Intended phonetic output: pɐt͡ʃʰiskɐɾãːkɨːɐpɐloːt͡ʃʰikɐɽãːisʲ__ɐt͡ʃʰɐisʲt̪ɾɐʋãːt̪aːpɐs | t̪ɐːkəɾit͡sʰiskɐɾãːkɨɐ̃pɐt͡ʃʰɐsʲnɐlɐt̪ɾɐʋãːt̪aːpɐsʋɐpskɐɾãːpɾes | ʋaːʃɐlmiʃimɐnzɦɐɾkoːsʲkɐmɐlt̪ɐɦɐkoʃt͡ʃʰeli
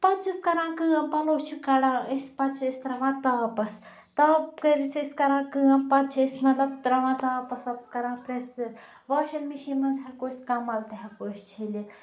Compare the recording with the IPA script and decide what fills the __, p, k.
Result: p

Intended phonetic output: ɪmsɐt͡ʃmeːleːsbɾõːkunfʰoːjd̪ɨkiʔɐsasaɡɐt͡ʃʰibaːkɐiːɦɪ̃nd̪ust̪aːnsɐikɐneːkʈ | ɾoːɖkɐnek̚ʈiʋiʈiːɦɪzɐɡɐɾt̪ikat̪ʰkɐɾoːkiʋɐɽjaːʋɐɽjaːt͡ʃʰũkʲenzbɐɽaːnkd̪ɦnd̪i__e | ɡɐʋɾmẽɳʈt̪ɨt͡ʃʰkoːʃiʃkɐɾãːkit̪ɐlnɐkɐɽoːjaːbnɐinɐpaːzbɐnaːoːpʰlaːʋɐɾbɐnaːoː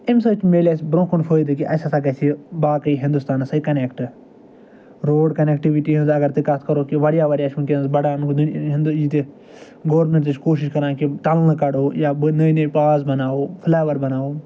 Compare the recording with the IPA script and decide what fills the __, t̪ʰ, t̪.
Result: t̪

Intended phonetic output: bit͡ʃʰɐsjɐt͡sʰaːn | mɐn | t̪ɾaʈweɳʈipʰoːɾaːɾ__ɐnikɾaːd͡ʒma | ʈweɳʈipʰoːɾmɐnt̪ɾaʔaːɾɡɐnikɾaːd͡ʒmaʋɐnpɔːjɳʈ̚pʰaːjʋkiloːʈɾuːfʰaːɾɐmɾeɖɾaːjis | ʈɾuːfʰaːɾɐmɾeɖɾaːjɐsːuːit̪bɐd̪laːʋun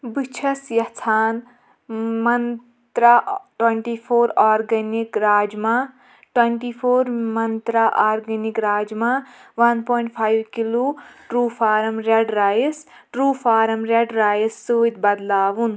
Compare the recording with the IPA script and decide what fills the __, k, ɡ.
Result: ɡ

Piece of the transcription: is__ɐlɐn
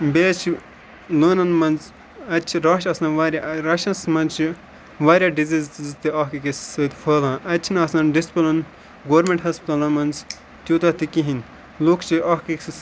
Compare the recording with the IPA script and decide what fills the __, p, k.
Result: p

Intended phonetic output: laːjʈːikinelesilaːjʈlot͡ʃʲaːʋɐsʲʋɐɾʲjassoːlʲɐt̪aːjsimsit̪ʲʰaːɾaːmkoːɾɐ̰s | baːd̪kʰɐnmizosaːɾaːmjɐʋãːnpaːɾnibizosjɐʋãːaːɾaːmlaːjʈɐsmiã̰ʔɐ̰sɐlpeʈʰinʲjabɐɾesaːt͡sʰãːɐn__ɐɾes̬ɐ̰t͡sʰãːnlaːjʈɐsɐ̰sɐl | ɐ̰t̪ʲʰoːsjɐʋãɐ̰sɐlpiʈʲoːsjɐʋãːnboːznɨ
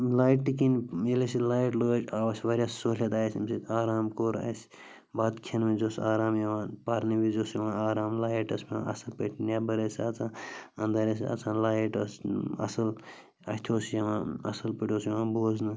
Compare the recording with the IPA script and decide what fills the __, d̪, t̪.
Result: d̪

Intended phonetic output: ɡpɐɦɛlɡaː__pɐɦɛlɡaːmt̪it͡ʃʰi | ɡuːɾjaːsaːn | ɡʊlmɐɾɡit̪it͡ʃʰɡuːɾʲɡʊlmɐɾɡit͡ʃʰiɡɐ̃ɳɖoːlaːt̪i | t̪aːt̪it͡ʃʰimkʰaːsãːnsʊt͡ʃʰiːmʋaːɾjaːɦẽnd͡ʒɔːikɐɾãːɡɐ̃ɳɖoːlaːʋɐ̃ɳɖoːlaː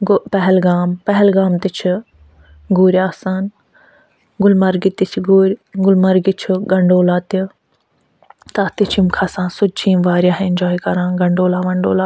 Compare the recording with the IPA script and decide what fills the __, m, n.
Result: m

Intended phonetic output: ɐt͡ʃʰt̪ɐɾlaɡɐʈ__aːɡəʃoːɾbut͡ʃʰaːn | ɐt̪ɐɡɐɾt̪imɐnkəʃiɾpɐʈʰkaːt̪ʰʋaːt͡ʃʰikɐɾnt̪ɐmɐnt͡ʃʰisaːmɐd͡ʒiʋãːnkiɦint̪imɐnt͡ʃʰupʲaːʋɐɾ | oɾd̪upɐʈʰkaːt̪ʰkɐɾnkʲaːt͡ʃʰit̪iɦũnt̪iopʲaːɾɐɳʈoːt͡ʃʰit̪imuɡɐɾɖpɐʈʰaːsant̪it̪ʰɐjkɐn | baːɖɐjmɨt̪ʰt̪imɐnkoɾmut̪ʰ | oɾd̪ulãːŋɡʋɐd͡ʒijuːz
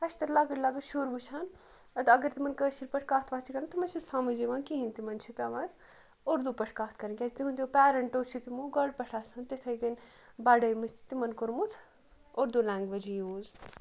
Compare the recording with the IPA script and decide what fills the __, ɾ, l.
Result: l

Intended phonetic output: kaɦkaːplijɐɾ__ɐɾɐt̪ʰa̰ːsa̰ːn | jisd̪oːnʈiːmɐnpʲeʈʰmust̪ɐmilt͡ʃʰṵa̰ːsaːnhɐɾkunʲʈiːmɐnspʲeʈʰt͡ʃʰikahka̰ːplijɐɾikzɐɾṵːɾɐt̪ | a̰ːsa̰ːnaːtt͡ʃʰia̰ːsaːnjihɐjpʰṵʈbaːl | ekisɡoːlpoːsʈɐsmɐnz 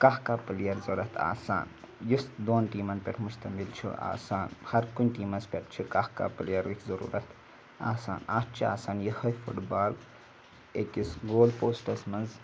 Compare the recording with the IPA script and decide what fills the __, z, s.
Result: z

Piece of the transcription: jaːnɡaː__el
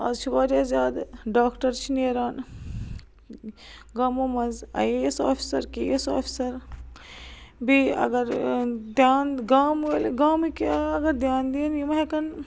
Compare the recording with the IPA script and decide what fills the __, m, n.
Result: m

